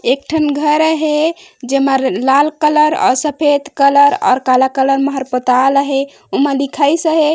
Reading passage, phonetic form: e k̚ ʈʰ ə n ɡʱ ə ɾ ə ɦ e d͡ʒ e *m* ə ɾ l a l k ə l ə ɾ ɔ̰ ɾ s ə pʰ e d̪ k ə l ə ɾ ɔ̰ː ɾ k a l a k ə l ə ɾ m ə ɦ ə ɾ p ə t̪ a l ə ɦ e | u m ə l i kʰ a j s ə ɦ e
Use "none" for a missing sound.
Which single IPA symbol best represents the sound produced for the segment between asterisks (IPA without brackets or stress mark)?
m